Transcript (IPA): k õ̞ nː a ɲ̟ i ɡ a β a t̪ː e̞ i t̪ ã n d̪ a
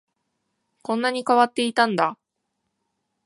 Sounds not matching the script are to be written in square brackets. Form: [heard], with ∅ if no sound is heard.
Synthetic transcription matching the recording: k õ̞ nː a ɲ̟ i [k] a β a t̪ː e̞ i t̪ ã n d̪ a